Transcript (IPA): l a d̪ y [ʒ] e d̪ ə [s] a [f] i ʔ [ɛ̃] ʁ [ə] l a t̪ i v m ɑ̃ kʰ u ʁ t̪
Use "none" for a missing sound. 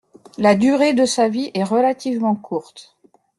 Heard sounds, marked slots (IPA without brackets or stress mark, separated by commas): ʁ, s, v, ɛ, ə